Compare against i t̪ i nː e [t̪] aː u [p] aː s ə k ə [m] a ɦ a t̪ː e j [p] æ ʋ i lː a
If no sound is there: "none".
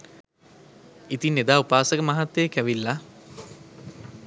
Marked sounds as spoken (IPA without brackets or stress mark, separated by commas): d̪, p, m, k